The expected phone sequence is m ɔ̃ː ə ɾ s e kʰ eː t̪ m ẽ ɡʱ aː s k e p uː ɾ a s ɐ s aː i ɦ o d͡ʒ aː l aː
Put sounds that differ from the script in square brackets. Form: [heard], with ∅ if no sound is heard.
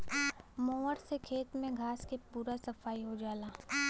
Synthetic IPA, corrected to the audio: m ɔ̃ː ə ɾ s e kʰ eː t̪ m ẽ ɡʱ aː s k e p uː ɾ a s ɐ [f] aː i ɦ o d͡ʒ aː l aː